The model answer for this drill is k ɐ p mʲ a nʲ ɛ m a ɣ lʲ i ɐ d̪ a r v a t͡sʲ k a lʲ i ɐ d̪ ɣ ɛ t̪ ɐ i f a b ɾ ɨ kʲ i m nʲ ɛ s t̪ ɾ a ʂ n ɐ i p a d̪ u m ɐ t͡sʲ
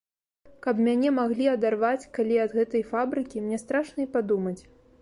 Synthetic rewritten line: k ɐ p mʲ a nʲ ɛ m a ɣ lʲ i ɐ d̪ a r v a t͡sʲ k a lʲ i ɐ d̪ ɣ ɛ t̪ ɐ j f a b ɾ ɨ kʲ i m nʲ ɛ s t̪ ɾ a ʂ n ɐ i p a d̪ u m ɐ t͡sʲ